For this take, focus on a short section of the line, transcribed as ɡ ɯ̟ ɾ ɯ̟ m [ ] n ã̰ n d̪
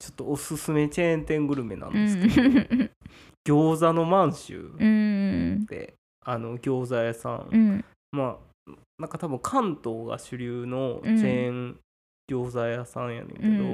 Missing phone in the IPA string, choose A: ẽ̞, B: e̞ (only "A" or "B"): B